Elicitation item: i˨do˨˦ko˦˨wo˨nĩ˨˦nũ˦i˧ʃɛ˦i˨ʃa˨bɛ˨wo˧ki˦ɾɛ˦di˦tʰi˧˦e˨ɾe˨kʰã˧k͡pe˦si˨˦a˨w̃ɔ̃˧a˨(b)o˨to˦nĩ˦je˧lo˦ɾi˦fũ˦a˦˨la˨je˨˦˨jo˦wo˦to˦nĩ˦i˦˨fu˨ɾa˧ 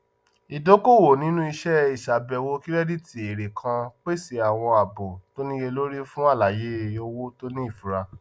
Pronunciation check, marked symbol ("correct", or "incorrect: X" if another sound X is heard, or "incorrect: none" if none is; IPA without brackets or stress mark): correct